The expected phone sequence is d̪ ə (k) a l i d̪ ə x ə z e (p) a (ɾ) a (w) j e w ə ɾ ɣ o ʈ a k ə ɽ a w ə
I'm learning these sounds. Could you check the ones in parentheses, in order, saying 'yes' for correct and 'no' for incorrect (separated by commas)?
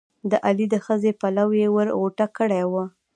no, yes, no, yes